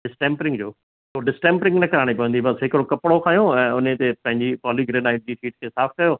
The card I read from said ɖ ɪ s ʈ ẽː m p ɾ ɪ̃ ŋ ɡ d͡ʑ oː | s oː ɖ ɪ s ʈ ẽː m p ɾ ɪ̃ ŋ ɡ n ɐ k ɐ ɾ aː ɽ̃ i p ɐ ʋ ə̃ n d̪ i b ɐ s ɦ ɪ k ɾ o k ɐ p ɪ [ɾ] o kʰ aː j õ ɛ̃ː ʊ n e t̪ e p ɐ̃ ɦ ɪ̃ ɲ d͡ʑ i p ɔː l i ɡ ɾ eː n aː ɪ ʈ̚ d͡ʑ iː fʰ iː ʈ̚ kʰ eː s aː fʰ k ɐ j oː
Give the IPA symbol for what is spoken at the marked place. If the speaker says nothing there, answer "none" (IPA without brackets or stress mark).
ɽ